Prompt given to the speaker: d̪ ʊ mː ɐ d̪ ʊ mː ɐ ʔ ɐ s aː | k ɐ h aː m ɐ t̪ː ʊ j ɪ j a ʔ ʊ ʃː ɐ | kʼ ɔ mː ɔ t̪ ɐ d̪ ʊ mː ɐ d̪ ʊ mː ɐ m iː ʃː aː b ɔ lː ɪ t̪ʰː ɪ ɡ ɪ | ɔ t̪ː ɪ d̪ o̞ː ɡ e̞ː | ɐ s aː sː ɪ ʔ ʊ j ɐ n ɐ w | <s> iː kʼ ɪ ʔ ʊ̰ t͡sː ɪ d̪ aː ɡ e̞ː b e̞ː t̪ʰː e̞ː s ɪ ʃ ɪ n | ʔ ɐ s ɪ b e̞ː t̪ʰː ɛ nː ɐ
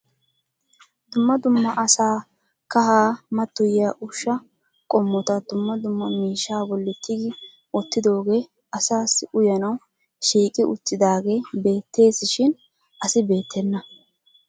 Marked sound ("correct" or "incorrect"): incorrect